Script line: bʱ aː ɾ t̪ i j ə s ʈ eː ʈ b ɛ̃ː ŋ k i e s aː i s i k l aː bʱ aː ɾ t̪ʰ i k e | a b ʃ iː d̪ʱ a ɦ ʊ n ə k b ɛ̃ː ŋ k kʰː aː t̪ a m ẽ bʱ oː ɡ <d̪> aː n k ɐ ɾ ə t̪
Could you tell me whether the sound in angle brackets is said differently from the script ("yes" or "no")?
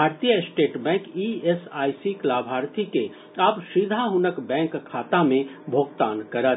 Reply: yes